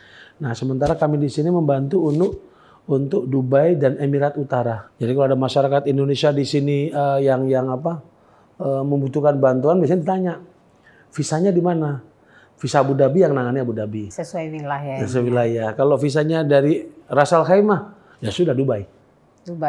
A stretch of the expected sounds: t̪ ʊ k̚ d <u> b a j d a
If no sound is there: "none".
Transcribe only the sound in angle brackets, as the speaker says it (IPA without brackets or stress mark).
u